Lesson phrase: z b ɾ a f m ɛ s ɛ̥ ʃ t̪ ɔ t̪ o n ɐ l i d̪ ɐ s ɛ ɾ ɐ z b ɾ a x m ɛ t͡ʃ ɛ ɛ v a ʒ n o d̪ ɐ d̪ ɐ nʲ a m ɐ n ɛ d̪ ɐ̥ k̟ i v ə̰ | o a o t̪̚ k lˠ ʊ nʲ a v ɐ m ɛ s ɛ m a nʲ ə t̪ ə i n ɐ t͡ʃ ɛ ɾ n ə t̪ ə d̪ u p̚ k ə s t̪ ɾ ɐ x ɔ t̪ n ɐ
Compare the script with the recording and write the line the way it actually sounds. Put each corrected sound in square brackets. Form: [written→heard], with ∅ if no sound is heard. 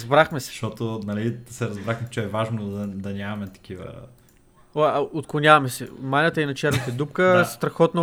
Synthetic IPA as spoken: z b ɾ a [f→x] m ɛ s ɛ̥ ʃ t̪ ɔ t̪ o n ɐ l i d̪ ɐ s ɛ ɾ ɐ z b ɾ a x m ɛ t͡ʃ ɛ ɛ v a ʒ n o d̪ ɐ d̪ ɐ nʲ a m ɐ [n→m] ɛ [d̪→t̪] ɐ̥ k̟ i v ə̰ | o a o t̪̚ k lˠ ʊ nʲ a v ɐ m ɛ s ɛ m a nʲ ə t̪ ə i n ɐ t͡ʃ ɛ ɾ n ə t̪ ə d̪ u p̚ k ə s t̪ ɾ ɐ x ɔ t̪ n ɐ